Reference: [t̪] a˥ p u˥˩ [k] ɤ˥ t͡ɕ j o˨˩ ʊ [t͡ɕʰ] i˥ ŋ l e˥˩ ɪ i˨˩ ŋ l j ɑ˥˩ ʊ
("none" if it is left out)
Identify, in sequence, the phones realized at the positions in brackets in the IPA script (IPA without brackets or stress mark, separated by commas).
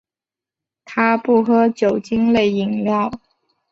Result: t̪ʰ, x, t͡ɕ